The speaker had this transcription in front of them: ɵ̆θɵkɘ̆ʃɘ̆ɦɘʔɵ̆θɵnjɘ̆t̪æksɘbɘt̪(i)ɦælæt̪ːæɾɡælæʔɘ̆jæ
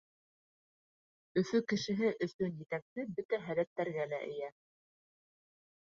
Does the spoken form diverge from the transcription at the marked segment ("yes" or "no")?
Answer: yes